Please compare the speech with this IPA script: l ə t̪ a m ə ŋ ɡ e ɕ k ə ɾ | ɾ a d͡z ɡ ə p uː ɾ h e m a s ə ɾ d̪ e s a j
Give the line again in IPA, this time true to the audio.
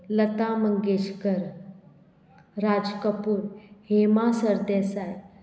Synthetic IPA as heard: l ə t̪ a m ə ŋ ɡ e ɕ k ə ɾ | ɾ a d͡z k ə p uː ɾ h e m a s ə ɾ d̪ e s a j